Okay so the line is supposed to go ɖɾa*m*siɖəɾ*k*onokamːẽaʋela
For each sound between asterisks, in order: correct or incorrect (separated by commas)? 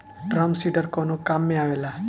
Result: correct, correct